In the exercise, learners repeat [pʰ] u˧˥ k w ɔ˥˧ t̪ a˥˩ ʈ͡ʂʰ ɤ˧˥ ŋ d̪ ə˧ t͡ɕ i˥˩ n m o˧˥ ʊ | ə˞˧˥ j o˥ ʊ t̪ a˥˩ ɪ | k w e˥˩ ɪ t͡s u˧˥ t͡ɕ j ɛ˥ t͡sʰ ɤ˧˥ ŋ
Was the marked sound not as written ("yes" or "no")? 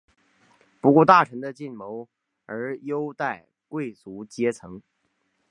yes